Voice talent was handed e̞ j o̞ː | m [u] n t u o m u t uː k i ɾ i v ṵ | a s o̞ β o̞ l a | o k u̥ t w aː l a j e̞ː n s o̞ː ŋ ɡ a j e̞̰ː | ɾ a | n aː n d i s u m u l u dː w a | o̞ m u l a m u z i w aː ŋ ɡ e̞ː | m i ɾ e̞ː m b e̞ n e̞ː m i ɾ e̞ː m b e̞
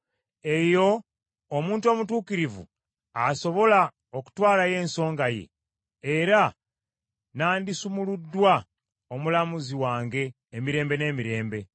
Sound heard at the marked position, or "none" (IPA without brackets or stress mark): uː